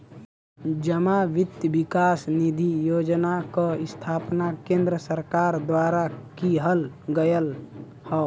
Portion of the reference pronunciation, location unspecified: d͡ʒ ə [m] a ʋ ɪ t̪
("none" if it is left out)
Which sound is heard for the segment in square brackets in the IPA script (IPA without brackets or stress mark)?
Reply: m